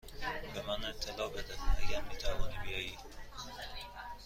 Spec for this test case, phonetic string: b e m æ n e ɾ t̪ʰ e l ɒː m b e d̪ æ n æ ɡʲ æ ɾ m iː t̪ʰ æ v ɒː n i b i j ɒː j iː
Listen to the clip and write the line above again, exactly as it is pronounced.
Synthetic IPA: b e m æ n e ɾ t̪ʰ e l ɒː b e d̪ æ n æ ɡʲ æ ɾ m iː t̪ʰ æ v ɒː n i b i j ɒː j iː